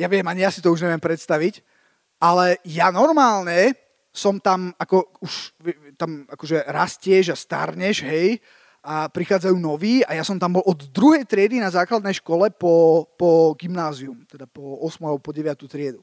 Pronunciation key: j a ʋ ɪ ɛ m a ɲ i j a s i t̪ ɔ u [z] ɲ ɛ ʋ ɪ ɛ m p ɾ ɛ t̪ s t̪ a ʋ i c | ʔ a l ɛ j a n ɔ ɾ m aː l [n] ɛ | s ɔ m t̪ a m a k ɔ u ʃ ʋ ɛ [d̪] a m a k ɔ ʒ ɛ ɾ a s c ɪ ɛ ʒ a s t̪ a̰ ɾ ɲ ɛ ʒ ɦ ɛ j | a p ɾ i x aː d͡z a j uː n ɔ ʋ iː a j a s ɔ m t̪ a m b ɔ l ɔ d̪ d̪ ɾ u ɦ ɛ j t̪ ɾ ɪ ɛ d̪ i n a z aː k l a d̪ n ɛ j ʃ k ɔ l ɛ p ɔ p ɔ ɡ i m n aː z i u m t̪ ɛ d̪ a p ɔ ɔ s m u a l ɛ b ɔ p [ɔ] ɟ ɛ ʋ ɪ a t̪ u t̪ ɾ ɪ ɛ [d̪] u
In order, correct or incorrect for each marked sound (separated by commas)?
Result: incorrect, incorrect, incorrect, correct, correct